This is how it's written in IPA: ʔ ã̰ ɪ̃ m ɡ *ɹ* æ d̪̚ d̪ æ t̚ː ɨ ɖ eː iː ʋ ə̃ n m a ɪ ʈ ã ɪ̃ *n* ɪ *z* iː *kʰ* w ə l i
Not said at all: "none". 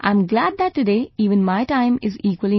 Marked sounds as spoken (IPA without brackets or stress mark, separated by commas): l, m, z, k